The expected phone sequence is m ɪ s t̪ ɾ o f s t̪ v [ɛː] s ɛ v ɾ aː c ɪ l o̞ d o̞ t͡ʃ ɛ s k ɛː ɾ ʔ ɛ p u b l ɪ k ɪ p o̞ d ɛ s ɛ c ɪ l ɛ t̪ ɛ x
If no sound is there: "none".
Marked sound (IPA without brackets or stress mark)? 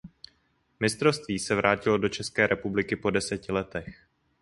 iː